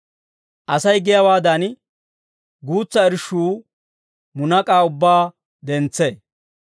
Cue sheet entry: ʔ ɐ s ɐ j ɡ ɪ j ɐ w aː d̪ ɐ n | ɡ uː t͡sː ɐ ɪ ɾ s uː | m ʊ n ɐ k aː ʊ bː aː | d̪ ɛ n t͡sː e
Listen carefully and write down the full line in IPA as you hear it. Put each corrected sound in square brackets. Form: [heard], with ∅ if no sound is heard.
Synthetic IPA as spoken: ʔ ɐ s ɐ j ɡ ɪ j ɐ w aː d̪ ɐ n | ɡ uː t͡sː ɐ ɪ ɾ [ʃ] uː | m ʊ n ɐ [kʼ] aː ʊ bː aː | d̪ ɛ n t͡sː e